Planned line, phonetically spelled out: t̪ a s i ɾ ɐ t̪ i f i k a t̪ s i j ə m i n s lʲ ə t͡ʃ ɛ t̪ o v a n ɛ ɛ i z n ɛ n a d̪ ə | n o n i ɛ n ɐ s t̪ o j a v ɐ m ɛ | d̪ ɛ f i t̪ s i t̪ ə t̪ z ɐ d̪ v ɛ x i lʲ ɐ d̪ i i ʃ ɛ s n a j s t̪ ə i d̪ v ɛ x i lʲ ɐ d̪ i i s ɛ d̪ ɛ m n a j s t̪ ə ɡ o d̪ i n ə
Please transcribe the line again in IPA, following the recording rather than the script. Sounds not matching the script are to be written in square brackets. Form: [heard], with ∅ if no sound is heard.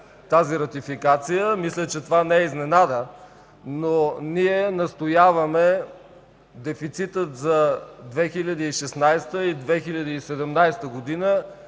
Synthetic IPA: t̪ a [z] i ɾ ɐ t̪ i f i k a t̪ s i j ə m i [∅] s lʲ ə t͡ʃ ɛ t̪ o v a n ɛ ɛ i z n ɛ n a d̪ ə | n o n i ɛ n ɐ s t̪ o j a v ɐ m ɛ | d̪ ɛ f i t̪ s i t̪ ə t̪ z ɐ d̪ v ɛ x i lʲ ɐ d̪ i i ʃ ɛ s n a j s t̪ ə i d̪ v ɛ x i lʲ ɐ d̪ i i s ɛ d̪ ɛ m n a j s t̪ ə ɡ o d̪ i n ə

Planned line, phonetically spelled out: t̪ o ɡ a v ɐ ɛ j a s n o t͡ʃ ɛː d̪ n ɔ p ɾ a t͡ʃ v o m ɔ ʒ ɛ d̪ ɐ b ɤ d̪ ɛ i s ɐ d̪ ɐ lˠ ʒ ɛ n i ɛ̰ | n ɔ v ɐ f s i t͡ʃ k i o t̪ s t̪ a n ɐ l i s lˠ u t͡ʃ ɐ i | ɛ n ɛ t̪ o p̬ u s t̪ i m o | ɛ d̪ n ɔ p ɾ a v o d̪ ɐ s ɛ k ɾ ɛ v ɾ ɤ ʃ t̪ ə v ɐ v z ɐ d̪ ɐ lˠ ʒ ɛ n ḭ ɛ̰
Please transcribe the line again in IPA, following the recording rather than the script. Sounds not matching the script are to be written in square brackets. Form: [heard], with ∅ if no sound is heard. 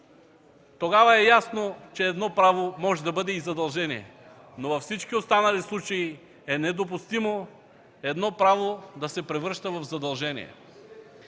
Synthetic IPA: t̪ o ɡ a v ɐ ɛ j a s n o t͡ʃ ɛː d̪ n ɔ p ɾ a [∅] v o m ɔ ʒ ɛ d̪ ɐ b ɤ d̪ ɛ i [z] ɐ d̪ ɐ lˠ ʒ ɛ n i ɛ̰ | n [o] v ɐ f s i t͡ʃ k i o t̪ s t̪ a n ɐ l i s lˠ u t͡ʃ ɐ i | ɛ n ɛ [d̪] o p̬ u s t̪ i m o | ɛ d̪ n ɔ p ɾ a v o d̪ ɐ s ɛ [p] ɾ ɛ v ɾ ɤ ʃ t̪ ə v ɐ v z ɐ d̪ ɐ lˠ ʒ ɛ n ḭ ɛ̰

